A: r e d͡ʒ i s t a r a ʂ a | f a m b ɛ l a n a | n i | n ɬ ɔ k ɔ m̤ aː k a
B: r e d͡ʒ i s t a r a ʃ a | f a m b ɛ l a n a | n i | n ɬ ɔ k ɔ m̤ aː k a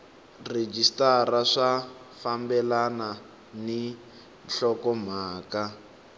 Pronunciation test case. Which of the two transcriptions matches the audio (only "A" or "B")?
A